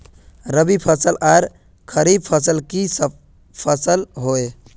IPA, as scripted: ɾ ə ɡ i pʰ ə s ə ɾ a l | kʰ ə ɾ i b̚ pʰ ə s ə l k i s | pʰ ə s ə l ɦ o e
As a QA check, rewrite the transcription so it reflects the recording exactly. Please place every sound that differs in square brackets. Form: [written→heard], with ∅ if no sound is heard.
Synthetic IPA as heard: ɾ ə [ɡ→b] i pʰ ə s ə [ɾ→l] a [l→ɾ] | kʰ ə ɾ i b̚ pʰ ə s ə l k i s | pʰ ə s ə l ɦ o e

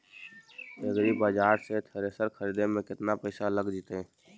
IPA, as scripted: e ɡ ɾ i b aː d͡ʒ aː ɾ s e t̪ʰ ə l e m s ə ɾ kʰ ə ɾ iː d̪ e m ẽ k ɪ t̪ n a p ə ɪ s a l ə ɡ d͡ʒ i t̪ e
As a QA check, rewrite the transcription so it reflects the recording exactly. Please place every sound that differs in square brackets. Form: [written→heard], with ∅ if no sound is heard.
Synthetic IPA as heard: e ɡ ɾ i b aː d͡ʒ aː ɾ s e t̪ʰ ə [l→ɾ] e [m→∅] s ə ɾ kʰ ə ɾ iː d̪ e m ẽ k ɪ t̪ n a p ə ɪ s a l ə ɡ d͡ʒ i t̪ e

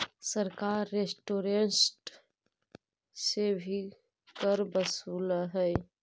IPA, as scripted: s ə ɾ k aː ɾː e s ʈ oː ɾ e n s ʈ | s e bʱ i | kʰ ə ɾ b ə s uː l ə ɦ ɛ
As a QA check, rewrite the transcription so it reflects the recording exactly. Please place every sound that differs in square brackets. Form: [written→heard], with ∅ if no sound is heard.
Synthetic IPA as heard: s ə ɾ k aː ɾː e s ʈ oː ɾ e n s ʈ | s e bʱ i | [kʰ→k] ə ɾ b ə s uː l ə ɦ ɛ

